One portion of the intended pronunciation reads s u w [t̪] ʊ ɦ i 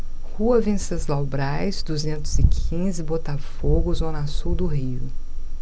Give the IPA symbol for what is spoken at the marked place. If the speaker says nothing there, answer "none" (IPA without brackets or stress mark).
d̪